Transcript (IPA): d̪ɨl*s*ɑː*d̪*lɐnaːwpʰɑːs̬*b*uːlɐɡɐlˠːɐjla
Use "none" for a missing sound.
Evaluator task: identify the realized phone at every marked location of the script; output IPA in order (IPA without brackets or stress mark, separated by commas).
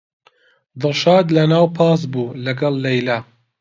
ʃ, d̪, b